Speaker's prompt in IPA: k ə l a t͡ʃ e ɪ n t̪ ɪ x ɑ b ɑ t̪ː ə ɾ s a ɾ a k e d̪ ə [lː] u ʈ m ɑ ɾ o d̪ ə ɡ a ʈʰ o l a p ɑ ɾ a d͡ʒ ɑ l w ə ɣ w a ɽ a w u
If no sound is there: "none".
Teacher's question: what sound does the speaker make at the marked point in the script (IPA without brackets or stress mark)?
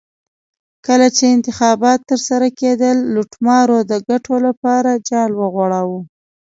lː